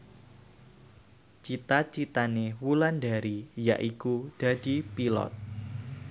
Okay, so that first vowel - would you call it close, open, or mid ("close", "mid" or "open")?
close